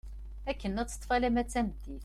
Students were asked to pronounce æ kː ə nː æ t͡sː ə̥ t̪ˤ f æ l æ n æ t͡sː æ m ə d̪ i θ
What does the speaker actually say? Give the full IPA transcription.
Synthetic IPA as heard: æ kː ə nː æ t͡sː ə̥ t̪ˤ f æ l æ m æ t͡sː æ m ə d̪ i θ